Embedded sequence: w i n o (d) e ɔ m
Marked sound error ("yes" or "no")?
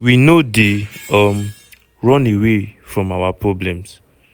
no